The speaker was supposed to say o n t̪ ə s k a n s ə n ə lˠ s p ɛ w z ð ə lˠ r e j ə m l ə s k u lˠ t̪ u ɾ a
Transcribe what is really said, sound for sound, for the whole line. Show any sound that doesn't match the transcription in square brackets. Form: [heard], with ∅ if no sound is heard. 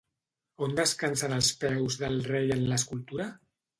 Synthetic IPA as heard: o n [d̪] ə s k a n s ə n ə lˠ s p ɛ w z ð ə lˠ r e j ə [n] l ə s k u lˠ t̪ u ɾ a

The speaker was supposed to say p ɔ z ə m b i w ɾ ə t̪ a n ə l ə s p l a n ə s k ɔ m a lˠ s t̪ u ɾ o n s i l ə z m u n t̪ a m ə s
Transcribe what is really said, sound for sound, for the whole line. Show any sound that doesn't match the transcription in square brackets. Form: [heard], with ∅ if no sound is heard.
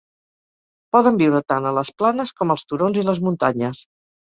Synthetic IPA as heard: p ɔ [ð] ə m b i w ɾ ə t̪ a n ə l ə s p l a n ə s k ɔ m [ə] lˠ s t̪ u ɾ o n [z] i l ə z m u n t̪ a [ɲ] ə s

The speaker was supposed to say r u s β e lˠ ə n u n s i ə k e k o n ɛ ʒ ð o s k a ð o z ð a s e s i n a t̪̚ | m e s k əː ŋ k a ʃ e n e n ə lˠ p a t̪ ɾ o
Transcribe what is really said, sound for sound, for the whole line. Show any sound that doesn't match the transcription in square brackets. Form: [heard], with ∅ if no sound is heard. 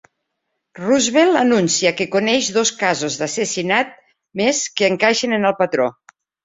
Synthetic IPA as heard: r u [z] β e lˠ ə n u n s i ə k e k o n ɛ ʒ ð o s k a [z] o z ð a s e s i n a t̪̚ | m e s k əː ŋ k a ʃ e n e n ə lˠ p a t̪ ɾ o

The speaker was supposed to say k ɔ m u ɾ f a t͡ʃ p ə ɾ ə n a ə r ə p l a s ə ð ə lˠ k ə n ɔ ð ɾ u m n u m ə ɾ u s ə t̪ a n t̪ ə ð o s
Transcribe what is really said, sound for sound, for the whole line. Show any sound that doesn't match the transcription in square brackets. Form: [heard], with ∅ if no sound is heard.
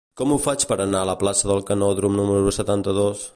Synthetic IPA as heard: k ɔ m u [∅] f a t͡ʃ p ə ɾ ə n a ə [l] ə p l a s ə ð ə lˠ k ə n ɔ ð ɾ u m n u m ə ɾ u s ə t̪ a n t̪ ə ð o s

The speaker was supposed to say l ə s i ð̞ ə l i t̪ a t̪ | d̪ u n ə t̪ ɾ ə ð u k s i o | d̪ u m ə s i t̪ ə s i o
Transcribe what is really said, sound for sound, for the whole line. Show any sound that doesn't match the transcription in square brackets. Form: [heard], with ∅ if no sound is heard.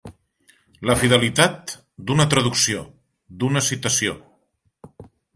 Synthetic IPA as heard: l ə [f] i ð̞ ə l i t̪ a t̪ | d̪ u n ə t̪ ɾ ə ð u k s i o | d̪ u [n] ə s i t̪ ə s i o

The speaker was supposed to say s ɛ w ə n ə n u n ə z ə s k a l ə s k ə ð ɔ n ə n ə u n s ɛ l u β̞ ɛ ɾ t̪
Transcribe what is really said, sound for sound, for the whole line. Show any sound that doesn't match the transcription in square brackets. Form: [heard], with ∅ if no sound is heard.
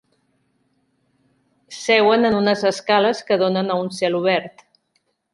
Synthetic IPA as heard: s ɛ w ə n ə n u n ə z ə s k a l ə s k ə ð [o] n ə n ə u n s ɛ l u β̞ ɛ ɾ t̪

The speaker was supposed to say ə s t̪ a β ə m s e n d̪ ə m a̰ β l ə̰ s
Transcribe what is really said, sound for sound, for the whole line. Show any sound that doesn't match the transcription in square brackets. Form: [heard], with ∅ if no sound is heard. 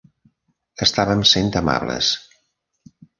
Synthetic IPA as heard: ə s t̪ a β ə m s e n [t̪] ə m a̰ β l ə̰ s

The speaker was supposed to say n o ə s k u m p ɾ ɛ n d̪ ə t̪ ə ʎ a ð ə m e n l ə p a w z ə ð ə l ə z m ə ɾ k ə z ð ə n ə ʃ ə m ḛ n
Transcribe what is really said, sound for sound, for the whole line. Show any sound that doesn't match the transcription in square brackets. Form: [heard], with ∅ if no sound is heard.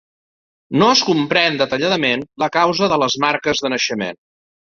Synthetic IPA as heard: n o ə s k u m p ɾ ɛ n d̪ ə t̪ ə ʎ a ð ə m e n l ə [k] a w z ə ð ə l ə z m [a] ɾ k ə z ð ə n ə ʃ ə m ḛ n

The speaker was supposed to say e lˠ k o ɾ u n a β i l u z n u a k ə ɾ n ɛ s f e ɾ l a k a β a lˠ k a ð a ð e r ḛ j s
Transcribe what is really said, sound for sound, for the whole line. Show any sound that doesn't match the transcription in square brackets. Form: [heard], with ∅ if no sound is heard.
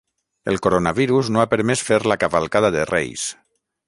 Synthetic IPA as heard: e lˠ k o ɾ [o] n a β i [ɾ] u z n [o] a [p] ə ɾ [m] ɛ s f e ɾ l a k a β a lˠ k a ð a ð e r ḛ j s

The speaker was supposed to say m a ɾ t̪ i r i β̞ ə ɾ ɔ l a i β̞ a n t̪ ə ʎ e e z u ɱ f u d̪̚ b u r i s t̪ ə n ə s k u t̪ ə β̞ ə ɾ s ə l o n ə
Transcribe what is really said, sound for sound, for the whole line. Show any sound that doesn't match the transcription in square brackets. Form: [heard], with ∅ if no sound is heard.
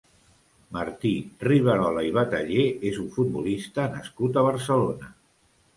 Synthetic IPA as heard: m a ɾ t̪ i r i β̞ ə ɾ ɔ l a i β̞ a [∅] t̪ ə ʎ e e z u ɱ f u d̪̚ b u [l] i s t̪ ə n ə s k u t̪ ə β̞ ə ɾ s ə l o n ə

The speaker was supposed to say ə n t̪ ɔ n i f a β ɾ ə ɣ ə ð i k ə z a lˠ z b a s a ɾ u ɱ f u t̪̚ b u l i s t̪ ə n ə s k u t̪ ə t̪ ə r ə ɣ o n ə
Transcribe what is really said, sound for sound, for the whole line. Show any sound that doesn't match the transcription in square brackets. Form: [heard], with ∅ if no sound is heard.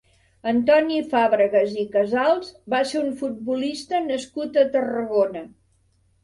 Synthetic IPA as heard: ə n t̪ ɔ n i f a β ɾ ə ɣ ə [z] i k ə z a lˠ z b a s [e] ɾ u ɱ f u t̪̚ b u l i s t̪ ə n ə s k u t̪ ə t̪ ə r ə ɣ o n ə

